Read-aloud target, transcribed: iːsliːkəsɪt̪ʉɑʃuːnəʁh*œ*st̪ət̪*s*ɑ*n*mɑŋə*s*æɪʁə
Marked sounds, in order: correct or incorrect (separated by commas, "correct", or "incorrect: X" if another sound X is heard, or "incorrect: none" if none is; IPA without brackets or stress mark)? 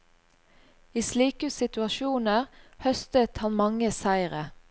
correct, incorrect: h, correct, correct